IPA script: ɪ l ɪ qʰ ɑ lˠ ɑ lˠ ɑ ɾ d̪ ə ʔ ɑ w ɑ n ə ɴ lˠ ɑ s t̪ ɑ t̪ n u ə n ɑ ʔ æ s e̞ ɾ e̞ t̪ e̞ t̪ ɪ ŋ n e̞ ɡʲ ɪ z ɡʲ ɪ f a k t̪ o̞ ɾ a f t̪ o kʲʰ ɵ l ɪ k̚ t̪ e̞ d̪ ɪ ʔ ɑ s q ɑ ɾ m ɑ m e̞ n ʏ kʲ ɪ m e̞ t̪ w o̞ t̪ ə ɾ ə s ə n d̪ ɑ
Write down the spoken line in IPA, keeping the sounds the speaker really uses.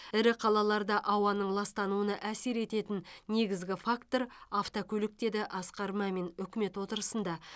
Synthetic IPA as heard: ɪ ɾ ɪ qʰ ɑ lˠ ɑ lˠ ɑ ɾ d̪ ɑ ʔ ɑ w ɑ n ə ɴ lˠ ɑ s t̪ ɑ n u ə n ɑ ʔ æ s e̞ ɾ e̞ t̪ e̞ t̪ ɪ n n e̞ ɡʲ ɪ z ɡʲ ɪ f a k t̪ o̞ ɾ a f t̪ o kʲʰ ɵ l ɪ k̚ t̪ e̞ d̪ ɪ ʔ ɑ s q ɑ ɾ m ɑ m e̞ n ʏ kʲ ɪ m e̞ t̪ w o̞ t̪ ə ɾ ə s ə n d̪ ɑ